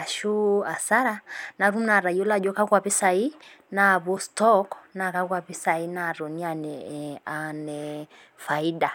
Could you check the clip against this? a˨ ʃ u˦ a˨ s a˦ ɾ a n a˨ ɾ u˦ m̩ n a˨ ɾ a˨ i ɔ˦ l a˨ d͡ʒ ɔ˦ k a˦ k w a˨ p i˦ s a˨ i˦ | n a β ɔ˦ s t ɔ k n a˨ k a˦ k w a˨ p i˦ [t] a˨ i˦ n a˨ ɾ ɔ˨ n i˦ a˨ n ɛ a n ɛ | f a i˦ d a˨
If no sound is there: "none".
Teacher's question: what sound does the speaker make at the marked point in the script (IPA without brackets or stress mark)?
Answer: s